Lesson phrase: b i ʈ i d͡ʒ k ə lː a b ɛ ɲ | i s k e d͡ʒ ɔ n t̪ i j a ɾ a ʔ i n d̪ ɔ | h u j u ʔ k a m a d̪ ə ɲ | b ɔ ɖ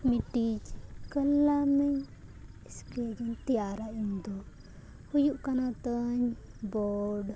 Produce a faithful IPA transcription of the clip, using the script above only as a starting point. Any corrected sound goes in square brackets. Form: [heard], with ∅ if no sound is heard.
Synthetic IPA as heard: [m] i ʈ i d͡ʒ k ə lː a [m] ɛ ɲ | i s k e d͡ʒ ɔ n t̪ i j a ɾ a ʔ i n d̪ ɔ | h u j u ʔ k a [n] a [t̪] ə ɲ | b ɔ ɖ